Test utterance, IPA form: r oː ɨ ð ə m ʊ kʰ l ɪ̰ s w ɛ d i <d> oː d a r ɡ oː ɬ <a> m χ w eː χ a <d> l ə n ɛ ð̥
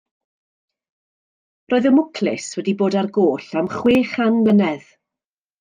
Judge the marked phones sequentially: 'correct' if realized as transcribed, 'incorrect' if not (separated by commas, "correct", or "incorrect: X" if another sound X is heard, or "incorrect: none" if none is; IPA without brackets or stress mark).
incorrect: b, correct, incorrect: n